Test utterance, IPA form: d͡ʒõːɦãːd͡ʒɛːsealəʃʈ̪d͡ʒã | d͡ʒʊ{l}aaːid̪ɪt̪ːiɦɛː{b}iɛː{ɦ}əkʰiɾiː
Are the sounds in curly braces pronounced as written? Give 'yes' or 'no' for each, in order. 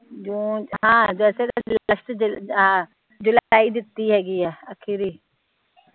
yes, no, no

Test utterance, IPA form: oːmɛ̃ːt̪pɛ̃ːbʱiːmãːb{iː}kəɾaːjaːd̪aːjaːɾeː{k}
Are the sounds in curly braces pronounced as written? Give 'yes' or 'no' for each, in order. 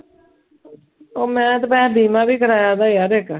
yes, yes

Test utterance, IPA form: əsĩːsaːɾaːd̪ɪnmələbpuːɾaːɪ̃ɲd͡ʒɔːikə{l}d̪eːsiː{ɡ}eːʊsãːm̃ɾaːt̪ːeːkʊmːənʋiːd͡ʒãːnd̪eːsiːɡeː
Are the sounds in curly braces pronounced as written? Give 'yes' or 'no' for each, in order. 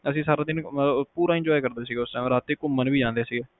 no, yes

